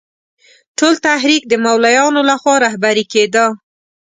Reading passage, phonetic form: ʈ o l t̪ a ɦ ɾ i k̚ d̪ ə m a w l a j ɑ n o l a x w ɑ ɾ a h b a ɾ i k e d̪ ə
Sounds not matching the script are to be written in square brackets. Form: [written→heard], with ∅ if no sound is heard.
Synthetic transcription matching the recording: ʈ o l t̪ a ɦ ɾ i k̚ d̪ ə m a w l a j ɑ n o l a x w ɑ ɾ a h b a ɾ i k e d̪ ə